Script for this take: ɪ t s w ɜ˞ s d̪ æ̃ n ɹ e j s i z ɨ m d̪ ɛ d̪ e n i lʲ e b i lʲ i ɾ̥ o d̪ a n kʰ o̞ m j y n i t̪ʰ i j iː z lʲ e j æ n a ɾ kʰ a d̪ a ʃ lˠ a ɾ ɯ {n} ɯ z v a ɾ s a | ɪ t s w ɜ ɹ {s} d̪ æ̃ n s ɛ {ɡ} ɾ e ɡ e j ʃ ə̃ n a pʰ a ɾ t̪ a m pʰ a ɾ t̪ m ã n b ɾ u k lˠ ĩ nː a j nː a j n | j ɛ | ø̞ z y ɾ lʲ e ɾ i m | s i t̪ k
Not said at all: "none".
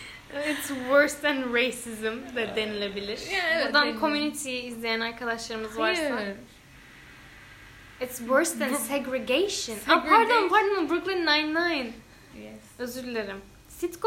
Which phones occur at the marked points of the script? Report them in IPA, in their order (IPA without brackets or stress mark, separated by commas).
m, s, ɡ